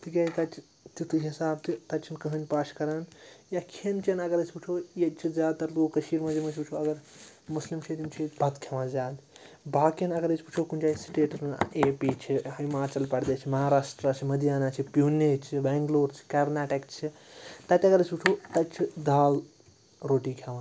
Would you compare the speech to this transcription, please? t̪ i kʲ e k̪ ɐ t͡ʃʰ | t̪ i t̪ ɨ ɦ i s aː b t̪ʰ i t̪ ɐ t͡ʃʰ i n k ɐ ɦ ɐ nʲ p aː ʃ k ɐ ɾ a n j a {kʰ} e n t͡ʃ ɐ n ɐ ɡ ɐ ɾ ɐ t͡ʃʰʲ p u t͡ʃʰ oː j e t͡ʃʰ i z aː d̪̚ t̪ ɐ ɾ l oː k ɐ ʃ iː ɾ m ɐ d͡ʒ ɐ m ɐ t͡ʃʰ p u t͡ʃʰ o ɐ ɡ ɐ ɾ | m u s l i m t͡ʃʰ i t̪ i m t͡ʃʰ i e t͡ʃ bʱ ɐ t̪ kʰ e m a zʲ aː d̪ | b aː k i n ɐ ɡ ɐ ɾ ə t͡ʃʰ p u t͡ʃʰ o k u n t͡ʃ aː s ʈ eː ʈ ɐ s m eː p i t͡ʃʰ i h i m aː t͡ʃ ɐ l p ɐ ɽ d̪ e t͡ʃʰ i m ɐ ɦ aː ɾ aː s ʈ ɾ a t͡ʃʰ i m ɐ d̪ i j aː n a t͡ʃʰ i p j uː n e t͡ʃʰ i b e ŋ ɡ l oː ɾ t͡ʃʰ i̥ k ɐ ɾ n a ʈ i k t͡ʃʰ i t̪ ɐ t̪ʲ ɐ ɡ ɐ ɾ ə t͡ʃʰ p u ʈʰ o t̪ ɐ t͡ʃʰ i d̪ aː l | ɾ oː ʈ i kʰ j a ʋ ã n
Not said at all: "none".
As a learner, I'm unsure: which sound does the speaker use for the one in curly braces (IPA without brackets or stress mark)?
kʰ